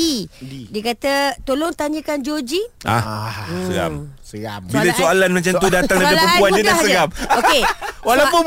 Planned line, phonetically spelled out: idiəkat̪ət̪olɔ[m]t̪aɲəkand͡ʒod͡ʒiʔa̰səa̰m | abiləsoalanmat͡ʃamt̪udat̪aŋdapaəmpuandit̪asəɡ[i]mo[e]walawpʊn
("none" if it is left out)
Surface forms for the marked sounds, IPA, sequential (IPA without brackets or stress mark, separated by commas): ŋ, a, e